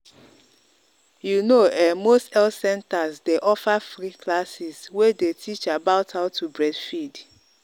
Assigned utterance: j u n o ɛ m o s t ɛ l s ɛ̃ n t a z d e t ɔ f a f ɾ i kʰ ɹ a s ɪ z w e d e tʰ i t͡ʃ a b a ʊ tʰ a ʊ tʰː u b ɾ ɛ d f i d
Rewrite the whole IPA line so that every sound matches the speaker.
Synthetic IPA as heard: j u n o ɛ m o s t ɛ l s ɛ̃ n t a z d e ʔ ɔ f a f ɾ i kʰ l a s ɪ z w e d e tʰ i t͡ʃ a b a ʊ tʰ a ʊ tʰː u b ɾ ɛ d f i d